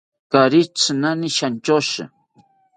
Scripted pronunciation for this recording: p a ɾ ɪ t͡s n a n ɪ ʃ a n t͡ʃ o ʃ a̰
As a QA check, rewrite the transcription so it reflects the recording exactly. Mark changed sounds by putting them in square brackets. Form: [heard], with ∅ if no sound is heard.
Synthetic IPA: [k] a ɾ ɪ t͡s n a n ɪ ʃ a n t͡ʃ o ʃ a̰